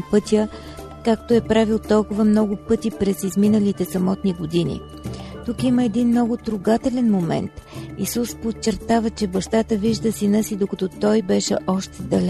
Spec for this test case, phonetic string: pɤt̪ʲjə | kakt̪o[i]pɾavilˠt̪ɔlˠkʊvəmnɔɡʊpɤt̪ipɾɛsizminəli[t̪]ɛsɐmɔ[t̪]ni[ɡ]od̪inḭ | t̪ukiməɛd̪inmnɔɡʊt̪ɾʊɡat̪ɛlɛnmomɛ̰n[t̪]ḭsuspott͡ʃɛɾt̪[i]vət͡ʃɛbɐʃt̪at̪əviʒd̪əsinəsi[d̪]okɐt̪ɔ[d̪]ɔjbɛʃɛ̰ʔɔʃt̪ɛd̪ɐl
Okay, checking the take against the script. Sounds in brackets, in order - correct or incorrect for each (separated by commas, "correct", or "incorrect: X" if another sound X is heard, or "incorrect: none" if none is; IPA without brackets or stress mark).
incorrect: ɛ, correct, correct, correct, correct, incorrect: a, correct, incorrect: t̪